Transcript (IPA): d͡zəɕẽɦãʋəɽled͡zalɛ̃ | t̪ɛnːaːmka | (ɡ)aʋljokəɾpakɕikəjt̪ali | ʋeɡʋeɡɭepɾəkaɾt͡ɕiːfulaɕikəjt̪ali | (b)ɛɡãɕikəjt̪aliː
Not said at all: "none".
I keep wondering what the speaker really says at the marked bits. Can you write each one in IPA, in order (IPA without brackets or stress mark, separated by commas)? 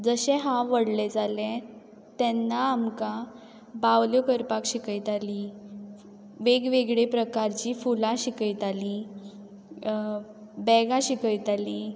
b, b